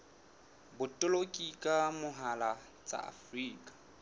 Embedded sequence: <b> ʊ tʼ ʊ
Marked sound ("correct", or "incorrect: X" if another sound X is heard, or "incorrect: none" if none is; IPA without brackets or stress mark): correct